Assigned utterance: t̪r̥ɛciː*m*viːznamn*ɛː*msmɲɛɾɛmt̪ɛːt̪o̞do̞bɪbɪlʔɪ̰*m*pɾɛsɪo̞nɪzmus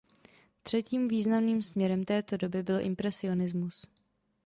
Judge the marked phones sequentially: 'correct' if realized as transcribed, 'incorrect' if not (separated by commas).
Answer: correct, incorrect, correct